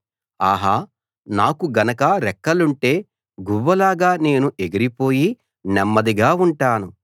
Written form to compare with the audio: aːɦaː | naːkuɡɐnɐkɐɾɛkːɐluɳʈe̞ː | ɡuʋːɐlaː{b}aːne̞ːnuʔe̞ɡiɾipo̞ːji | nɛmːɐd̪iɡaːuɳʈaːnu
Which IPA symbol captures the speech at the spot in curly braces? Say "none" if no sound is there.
ɡ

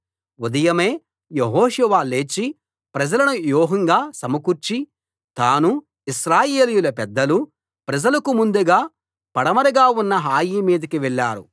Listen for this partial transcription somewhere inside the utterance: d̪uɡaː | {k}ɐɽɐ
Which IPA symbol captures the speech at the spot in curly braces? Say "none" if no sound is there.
p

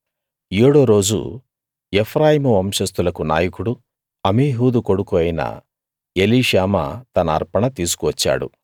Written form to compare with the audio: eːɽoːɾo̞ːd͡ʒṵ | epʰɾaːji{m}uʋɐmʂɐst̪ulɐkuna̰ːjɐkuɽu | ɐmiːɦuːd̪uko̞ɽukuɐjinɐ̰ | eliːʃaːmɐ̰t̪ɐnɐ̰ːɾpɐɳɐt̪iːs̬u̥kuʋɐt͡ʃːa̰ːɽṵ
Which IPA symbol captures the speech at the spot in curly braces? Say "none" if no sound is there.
m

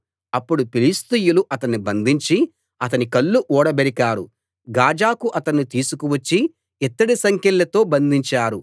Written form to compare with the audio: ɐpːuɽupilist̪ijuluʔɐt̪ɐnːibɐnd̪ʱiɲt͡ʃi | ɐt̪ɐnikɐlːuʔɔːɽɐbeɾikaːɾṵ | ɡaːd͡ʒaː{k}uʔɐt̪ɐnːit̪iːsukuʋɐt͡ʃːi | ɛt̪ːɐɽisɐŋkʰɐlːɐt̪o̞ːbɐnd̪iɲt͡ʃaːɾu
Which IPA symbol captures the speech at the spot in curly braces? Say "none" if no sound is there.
k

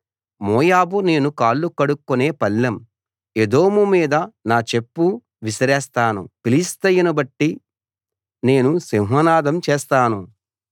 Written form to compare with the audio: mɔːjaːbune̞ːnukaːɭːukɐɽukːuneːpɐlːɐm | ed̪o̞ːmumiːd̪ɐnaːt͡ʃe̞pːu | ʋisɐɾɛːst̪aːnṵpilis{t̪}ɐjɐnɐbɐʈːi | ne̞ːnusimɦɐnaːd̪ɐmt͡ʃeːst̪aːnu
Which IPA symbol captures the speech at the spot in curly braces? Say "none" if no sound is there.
t̪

